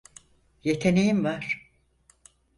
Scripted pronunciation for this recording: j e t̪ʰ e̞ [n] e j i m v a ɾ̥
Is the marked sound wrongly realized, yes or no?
no